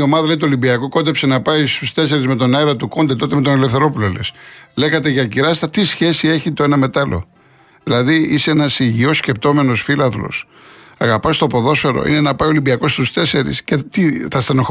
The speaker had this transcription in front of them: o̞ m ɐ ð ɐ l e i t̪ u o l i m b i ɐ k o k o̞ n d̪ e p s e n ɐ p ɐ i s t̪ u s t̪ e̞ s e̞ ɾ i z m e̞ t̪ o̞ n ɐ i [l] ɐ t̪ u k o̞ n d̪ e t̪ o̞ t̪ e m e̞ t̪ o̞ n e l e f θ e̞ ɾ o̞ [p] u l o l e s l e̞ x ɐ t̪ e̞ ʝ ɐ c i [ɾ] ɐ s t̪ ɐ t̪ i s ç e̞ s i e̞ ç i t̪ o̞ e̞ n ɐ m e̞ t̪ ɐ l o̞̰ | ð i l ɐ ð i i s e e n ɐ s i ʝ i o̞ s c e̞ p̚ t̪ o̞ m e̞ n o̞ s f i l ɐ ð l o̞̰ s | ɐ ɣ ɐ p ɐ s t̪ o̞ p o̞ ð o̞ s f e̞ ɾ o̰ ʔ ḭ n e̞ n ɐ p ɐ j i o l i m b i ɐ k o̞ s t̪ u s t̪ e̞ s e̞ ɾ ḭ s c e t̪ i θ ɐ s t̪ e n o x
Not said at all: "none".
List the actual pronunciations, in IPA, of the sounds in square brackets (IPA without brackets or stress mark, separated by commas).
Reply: ɾ, p, ɾ